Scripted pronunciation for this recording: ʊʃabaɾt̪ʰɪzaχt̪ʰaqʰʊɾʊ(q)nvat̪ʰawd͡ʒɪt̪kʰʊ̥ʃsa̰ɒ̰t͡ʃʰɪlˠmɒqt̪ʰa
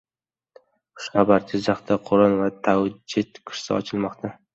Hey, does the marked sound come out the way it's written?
no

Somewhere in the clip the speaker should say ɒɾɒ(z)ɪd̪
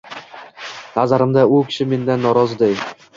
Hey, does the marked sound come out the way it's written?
yes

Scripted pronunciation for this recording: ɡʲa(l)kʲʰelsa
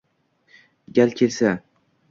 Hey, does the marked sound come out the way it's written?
yes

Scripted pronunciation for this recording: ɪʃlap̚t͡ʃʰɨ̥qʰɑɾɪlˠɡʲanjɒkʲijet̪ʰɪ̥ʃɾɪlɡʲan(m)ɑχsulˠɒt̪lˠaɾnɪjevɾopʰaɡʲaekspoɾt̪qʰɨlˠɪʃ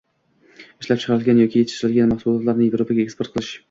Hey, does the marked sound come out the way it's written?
yes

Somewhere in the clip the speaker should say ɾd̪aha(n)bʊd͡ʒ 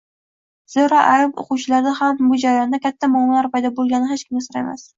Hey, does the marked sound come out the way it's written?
no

